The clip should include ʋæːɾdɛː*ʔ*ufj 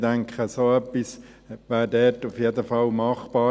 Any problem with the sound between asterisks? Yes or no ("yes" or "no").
yes